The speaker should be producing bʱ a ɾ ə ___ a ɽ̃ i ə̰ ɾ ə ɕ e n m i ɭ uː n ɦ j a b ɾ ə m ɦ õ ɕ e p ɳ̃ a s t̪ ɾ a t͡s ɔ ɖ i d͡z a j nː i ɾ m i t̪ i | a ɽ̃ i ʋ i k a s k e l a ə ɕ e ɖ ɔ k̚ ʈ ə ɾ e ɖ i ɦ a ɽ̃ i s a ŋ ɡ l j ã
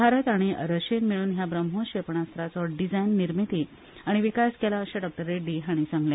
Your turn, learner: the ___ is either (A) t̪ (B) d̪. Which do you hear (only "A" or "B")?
A